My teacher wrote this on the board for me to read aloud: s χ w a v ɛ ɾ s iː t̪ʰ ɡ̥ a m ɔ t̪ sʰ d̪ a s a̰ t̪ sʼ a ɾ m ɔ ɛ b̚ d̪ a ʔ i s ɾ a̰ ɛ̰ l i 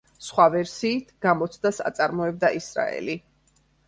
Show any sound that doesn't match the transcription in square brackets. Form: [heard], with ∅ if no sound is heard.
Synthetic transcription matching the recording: s χ w a v ɛ ɾ s iː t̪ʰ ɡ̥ a m ɔ t̪ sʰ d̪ a s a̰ t̪ sʼ a ɾ m ɔ ɛ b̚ d̪ a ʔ i s ɾ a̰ ɛ̰ l i